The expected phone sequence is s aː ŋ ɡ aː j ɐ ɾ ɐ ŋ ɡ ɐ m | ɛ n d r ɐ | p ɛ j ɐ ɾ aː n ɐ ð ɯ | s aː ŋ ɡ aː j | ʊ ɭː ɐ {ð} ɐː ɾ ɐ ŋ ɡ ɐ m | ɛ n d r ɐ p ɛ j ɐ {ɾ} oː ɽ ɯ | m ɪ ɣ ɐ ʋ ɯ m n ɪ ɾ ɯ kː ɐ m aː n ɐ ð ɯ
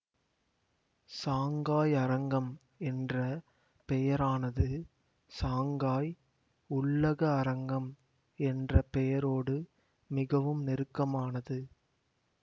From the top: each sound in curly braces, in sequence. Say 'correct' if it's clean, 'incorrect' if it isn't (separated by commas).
incorrect, correct